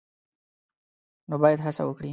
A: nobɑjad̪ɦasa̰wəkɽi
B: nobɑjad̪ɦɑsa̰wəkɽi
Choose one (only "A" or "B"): A